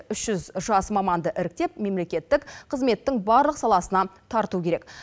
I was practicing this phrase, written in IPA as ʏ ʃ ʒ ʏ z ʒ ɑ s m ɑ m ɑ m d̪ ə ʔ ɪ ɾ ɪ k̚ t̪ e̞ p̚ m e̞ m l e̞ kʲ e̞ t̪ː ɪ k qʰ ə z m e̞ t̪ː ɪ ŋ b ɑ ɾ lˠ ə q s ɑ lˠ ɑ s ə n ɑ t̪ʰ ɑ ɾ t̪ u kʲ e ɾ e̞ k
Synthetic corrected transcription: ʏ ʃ ʒ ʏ z ʒ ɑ s m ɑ m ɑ n d̪ ə ʔ ɪ ɾ ɪ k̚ t̪ e̞ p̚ m e̞ m l e̞ kʲ e̞ t̪ː ɪ k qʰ ə z m e̞ t̪ː ɪ ŋ b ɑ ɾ lˠ ə q s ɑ lˠ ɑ s ə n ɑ t̪ʰ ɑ ɾ t̪ u kʲ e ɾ e̞ k